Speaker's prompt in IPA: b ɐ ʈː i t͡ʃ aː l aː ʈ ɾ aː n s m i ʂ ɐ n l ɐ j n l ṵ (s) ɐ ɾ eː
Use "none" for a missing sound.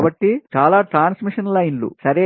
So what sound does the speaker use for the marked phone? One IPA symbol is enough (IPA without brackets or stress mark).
s